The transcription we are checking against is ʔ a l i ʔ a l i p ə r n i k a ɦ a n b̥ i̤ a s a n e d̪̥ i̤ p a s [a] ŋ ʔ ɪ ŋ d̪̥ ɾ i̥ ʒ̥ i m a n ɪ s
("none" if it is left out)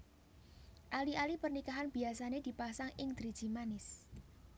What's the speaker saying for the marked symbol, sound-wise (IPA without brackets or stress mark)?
a